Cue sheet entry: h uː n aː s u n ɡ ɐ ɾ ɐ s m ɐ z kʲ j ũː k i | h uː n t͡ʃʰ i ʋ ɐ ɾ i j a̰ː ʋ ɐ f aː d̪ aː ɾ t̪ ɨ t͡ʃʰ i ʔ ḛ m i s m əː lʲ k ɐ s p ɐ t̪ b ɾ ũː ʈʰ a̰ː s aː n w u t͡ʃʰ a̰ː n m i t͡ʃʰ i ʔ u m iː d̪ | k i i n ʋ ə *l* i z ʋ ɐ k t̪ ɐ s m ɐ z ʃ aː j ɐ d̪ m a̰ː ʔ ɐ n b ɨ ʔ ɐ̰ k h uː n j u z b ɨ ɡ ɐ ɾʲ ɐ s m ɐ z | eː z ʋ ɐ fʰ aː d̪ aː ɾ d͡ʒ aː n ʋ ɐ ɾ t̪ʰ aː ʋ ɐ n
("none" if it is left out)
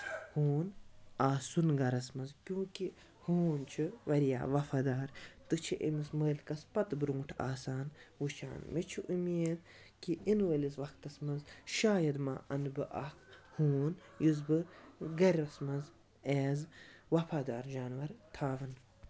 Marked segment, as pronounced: l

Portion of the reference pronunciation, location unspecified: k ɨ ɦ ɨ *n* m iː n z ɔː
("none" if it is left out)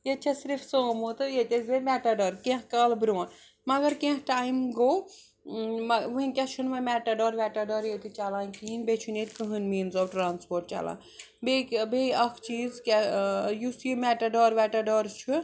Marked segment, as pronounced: n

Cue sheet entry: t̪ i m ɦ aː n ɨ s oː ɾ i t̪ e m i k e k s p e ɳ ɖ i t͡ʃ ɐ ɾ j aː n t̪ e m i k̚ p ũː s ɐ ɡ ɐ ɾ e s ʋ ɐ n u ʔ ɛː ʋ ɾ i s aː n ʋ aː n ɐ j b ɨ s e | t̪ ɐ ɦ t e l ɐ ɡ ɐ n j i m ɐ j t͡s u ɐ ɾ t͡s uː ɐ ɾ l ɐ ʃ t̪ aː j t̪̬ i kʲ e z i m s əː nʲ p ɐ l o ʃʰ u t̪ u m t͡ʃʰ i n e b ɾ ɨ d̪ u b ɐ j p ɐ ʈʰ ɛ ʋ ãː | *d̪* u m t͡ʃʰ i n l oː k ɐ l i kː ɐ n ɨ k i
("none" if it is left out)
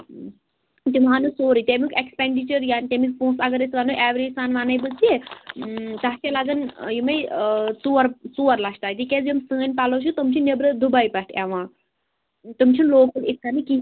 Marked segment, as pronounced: t̪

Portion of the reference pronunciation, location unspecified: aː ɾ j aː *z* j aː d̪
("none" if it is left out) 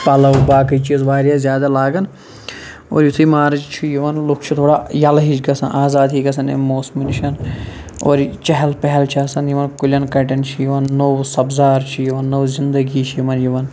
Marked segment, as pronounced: z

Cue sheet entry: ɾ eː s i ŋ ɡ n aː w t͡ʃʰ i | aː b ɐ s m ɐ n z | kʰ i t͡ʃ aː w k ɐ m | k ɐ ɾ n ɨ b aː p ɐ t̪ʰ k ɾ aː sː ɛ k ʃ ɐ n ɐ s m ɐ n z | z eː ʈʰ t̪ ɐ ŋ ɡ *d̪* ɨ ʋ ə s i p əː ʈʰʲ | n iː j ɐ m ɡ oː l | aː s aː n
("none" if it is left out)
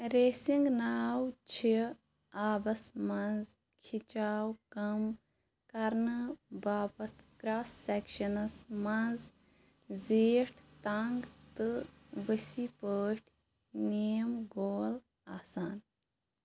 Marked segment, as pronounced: t̪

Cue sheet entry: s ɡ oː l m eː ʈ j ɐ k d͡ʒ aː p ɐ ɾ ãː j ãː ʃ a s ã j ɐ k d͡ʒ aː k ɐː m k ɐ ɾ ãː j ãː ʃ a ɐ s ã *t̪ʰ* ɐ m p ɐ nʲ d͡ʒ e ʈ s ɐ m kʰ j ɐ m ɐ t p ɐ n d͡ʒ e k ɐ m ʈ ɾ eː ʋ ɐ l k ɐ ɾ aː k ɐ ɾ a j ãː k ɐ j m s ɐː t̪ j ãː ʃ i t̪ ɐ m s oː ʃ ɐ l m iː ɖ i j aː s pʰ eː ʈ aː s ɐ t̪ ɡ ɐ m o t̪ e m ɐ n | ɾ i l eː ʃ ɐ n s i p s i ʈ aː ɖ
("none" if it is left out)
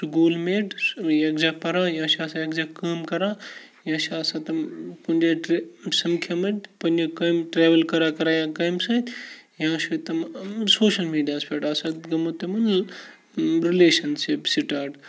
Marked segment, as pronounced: t̪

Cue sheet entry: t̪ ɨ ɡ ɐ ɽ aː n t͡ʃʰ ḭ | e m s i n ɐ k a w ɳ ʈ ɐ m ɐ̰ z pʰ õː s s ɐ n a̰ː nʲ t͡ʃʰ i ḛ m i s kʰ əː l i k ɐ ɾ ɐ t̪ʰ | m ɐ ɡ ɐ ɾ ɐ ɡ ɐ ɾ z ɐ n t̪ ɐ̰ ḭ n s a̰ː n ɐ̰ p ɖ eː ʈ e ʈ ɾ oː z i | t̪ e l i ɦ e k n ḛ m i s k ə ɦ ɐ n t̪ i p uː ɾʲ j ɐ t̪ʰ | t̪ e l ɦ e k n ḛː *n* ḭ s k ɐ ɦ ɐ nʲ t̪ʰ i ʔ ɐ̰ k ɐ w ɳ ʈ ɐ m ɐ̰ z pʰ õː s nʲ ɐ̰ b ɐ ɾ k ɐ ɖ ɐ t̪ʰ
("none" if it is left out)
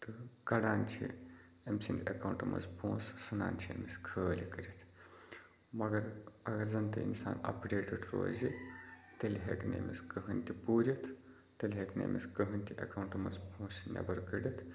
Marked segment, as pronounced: m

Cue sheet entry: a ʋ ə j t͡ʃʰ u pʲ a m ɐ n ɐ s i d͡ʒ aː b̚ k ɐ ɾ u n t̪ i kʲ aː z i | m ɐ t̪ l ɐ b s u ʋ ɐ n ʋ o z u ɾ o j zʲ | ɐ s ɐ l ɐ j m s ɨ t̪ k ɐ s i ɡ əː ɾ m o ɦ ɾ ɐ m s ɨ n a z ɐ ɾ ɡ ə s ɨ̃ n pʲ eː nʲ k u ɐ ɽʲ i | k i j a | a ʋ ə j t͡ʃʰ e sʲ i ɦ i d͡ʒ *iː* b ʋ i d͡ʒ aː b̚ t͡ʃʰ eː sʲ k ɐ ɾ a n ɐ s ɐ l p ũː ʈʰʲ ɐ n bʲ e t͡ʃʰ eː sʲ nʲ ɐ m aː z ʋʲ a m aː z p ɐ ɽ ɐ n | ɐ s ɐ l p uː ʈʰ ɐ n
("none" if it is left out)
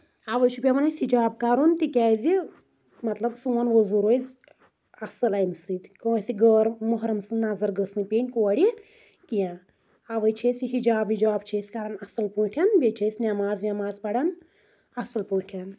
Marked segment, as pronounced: aː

